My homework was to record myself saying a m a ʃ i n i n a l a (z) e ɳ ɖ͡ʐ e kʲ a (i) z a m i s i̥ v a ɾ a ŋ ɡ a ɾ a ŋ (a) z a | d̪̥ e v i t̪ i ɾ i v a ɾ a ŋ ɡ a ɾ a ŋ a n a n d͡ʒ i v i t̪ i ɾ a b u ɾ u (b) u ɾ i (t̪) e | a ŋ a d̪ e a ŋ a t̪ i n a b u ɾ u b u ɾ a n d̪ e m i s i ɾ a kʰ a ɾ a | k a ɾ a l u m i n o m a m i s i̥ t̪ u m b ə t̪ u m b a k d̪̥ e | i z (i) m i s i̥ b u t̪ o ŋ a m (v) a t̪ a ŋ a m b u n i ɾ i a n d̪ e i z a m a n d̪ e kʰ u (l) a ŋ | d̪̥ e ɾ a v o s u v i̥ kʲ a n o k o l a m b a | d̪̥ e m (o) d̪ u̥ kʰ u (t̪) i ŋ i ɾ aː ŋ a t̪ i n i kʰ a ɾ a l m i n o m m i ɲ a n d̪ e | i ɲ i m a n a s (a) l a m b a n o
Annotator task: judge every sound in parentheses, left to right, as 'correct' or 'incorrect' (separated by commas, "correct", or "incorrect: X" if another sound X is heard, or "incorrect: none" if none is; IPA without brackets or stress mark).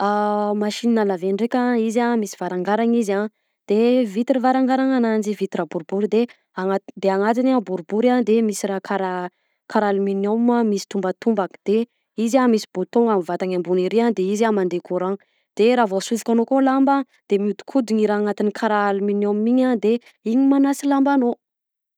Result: incorrect: v, correct, incorrect: i, correct, incorrect: d̪, incorrect: a, correct, incorrect: ɾ, incorrect: u, incorrect: d̪, incorrect: i